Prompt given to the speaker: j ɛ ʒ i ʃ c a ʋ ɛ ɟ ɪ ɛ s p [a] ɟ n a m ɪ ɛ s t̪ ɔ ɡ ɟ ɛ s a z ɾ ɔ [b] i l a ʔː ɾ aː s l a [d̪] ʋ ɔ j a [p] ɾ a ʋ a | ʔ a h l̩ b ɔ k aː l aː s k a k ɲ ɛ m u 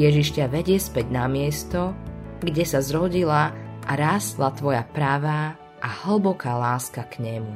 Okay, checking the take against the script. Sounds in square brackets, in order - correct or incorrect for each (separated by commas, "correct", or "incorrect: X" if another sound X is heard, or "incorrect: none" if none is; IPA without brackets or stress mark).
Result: incorrect: ɛ, incorrect: ɟ, incorrect: t̪, correct